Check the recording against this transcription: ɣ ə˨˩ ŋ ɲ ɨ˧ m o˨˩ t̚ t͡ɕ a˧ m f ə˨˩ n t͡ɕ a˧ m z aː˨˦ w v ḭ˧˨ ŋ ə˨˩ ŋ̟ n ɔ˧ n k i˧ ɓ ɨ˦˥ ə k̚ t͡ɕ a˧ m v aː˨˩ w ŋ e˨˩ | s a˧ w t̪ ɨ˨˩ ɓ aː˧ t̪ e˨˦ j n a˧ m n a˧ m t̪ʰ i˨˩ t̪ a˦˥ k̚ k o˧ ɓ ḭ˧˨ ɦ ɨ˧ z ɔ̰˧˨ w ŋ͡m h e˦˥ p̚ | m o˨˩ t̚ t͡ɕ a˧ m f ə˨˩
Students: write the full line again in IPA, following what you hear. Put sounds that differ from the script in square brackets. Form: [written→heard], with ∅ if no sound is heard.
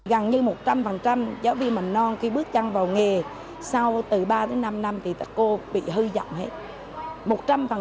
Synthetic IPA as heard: ɣ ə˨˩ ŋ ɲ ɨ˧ m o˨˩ t̚ t͡ɕ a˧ m f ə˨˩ n t͡ɕ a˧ m z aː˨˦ w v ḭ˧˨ [ŋ→m] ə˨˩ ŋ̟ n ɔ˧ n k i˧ ɓ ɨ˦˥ ə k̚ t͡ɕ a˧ [m→ŋ] v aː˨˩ w ŋ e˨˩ | s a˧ w t̪ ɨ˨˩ ɓ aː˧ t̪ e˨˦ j n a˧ m n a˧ m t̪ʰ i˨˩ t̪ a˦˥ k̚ k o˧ ɓ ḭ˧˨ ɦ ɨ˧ z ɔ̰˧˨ w ŋ͡m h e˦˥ [p̚→t̚] | m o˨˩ t̚ t͡ɕ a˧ m f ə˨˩